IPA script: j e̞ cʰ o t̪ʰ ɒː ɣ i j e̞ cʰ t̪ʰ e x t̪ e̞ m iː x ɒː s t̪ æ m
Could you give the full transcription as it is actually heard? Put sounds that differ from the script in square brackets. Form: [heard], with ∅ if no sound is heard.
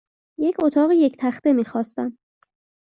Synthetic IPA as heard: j e̞ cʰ o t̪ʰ ɒː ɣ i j e̞ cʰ t̪ʰ [æ] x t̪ e̞ m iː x ɒː s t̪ æ m